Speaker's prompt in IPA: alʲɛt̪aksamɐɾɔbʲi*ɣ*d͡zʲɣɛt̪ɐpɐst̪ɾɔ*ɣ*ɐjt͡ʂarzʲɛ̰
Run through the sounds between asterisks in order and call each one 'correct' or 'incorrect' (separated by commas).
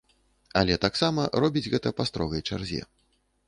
incorrect, correct